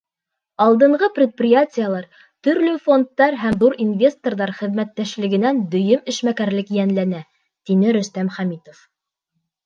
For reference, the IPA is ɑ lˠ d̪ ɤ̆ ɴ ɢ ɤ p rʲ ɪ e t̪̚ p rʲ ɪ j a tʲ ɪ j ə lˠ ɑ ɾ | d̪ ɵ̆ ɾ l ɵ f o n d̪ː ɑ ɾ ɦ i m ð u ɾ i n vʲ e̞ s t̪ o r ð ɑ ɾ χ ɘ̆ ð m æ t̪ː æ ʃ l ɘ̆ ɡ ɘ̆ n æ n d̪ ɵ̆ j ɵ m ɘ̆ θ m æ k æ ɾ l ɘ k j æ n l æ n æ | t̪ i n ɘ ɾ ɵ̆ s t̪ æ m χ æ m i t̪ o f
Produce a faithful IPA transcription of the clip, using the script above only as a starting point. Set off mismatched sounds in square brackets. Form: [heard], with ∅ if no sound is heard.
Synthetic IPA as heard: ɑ lˠ d̪ ɤ̆ ɴ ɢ ɤ p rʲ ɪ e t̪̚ p rʲ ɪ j a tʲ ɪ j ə lˠ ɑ ɾ | [t̪] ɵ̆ ɾ l ɵ f o n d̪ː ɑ ɾ ɦ [æ] m ð u ɾ i n vʲ e̞ s t̪ o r ð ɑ ɾ χ ɘ̆ ð m æ t̪ː æ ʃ l ɘ̆ ɡ ɘ̆ n æ n d̪ ɵ̆ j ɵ m ɘ̆ [ʃ] m æ k æ ɾ l ɘ k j æ n l æ n æ | t̪ i n ɘ ɾ ɵ̆ s t̪ æ m χ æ m i t̪ o f